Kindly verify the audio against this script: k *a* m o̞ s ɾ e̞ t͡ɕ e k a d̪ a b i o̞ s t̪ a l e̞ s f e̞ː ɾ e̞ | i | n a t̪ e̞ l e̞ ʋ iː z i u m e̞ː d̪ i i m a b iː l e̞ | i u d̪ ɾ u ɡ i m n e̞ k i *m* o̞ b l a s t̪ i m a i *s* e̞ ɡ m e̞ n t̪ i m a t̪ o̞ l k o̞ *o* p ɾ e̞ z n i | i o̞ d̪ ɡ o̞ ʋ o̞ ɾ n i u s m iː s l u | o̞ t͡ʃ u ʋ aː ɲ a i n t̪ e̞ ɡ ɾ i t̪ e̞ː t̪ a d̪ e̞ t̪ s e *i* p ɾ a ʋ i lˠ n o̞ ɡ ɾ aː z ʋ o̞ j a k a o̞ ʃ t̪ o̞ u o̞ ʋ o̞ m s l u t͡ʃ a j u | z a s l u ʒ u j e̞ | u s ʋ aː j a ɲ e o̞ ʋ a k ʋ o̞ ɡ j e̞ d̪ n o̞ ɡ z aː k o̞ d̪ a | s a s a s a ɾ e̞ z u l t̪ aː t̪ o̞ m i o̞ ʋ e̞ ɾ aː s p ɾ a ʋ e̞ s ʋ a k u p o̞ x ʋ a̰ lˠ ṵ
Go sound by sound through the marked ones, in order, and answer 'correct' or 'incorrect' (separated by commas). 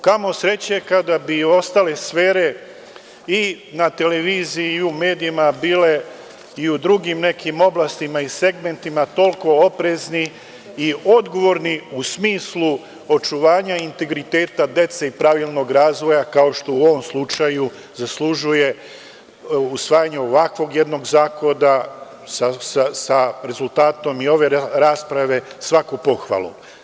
correct, correct, correct, correct, correct